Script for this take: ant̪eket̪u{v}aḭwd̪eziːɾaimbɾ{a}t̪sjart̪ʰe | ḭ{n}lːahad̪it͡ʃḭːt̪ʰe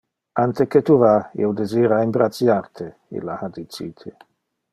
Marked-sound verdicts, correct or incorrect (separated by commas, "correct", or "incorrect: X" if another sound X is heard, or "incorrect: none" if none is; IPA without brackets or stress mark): correct, correct, incorrect: none